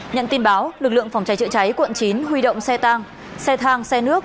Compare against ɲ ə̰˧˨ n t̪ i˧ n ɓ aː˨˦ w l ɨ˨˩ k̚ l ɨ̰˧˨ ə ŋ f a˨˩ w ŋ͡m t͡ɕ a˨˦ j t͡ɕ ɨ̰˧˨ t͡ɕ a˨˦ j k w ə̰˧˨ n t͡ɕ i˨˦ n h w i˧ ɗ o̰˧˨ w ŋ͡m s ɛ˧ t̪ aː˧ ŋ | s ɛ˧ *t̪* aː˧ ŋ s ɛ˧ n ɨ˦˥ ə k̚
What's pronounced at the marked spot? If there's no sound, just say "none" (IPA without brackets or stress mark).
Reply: t̪ʰ